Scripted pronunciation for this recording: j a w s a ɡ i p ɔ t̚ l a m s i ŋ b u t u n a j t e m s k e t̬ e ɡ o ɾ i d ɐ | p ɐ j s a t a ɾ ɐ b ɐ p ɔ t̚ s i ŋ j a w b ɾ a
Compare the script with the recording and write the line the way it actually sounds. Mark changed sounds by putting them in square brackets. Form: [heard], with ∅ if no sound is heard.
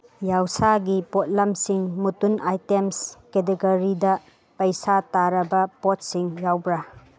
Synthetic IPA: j a w s a ɡ i p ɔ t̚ l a m s i ŋ [m] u t u n a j t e m s k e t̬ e ɡ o ɾ i d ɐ | p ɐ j s a t a ɾ ɐ b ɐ p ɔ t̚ s i ŋ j a w b ɾ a

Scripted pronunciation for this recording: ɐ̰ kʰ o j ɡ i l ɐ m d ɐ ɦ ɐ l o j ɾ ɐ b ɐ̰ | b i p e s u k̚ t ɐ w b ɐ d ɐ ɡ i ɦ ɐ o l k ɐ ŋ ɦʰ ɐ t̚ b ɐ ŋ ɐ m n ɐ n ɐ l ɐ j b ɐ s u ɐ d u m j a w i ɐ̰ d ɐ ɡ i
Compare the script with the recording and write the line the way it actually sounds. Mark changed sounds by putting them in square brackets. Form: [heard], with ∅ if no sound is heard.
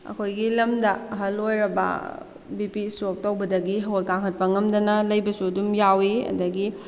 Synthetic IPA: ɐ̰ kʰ o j ɡ i l ɐ m d ɐ ɦ ɐ l o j ɾ ɐ b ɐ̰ | b i p [i] s [o] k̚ t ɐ w b ɐ d ɐ ɡ i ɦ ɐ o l k [a] ŋ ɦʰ ɐ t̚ [p] ɐ ŋ ɐ m [d] ɐ n ɐ l ɐ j b ɐ s u ɐ d u m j a w i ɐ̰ d ɐ ɡ i

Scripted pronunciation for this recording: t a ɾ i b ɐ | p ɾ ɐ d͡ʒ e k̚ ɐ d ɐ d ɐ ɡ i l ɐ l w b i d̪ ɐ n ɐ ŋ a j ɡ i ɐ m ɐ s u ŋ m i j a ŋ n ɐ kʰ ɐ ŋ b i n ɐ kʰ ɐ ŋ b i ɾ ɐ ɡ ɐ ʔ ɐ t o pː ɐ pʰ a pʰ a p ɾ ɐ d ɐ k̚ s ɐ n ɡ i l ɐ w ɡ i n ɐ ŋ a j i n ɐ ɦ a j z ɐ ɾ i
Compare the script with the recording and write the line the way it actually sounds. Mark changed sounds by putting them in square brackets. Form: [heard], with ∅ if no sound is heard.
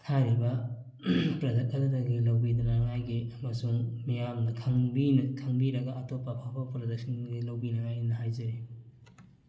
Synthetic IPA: [tʰ] a ɾ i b ɐ | p ɾ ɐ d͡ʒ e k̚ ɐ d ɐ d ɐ ɡ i l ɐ [∅] w b i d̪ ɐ n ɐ ŋ a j ɡ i ɐ m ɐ s u ŋ m i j a [m] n ɐ kʰ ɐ ŋ b i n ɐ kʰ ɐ ŋ b i ɾ ɐ ɡ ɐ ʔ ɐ t o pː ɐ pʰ a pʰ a p ɾ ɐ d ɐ k̚ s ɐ n ɡ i l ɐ w [b] i n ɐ ŋ a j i n ɐ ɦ a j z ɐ ɾ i

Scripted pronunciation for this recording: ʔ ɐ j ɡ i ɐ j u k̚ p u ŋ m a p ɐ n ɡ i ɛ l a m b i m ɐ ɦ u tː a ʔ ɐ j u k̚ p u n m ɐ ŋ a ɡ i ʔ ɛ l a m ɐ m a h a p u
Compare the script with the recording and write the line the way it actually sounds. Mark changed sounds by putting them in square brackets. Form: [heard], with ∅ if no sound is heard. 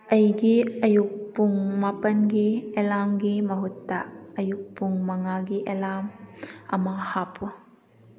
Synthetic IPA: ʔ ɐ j ɡ i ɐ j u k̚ p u ŋ m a p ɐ n ɡ i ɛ l a m [ɡ] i m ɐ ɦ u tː a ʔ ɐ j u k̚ p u [ŋ] m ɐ ŋ a ɡ i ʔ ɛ l a m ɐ m a h a p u

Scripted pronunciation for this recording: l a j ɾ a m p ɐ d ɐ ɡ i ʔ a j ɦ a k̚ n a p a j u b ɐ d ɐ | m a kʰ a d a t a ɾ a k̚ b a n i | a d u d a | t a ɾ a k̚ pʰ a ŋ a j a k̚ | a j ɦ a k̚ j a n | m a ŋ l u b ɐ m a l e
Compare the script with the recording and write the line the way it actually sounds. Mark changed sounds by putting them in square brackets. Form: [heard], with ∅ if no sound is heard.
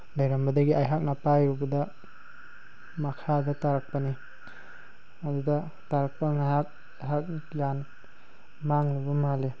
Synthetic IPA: l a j ɾ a m [b] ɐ d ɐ ɡ i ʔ a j ɦ a k̚ n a p a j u b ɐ d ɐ | m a kʰ a d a t a ɾ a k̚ [p] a n i | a d u d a | t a ɾ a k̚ [p] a ŋ a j a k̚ | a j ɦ a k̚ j a n | m a ŋ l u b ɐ m a l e

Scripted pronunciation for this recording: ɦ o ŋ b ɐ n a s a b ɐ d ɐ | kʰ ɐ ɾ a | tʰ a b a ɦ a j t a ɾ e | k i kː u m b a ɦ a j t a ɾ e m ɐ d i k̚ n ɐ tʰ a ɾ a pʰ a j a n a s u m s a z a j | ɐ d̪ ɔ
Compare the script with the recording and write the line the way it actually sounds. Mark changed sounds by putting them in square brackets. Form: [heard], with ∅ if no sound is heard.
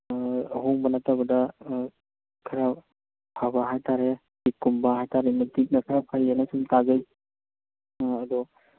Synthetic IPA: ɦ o ŋ b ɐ n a [t] a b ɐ d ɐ | kʰ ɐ ɾ a | [pʰ] a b a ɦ a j t a ɾ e | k i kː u m b a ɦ a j t a ɾ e m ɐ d i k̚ n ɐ [kʰ] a ɾ a pʰ a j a n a s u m [t] a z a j | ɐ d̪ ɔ

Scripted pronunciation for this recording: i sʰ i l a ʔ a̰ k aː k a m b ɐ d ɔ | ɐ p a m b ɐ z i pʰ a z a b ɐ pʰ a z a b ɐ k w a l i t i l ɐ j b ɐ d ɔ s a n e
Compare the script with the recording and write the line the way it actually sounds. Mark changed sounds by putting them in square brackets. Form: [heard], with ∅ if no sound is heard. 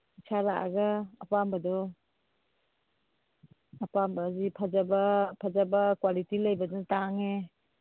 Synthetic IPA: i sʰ [a] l a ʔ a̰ [ɡ] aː [p] a m b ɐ d ɔ | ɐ p a m b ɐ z i pʰ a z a b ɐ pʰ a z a b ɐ k w a l i t i l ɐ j b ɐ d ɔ [t] a [ŋ] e

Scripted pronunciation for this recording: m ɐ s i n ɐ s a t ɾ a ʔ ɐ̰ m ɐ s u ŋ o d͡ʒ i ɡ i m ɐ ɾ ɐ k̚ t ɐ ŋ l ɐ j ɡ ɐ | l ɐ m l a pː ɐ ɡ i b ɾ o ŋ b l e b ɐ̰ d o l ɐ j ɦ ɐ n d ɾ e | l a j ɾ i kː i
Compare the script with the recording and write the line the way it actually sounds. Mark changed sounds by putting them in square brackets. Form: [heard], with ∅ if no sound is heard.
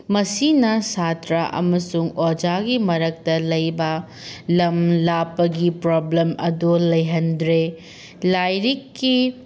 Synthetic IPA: m ɐ s i n ɐ s a t ɾ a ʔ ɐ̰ m ɐ s u ŋ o d͡ʒ [a] ɡ i m ɐ ɾ ɐ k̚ t ɐ [∅] l ɐ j [b] ɐ | l ɐ m l a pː ɐ ɡ i [p] ɾ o [∅] b l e [m] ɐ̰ d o l ɐ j ɦ ɐ n d ɾ e | l a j ɾ i kː i

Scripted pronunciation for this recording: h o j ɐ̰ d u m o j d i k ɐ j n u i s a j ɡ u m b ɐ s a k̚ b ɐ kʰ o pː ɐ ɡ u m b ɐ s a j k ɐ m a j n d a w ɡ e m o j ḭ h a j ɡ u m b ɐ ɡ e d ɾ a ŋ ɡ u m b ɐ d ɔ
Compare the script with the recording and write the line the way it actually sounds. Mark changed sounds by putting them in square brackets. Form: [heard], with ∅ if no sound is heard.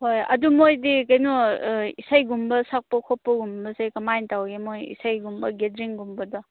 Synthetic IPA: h o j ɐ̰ d u m o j d i k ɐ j n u i s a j ɡ u m b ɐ s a k̚ [p] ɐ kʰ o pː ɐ ɡ u m b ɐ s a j k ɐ m a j n [t] a w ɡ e m o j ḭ [s] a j ɡ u m b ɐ ɡ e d ɾ [i] ŋ ɡ u m b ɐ d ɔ

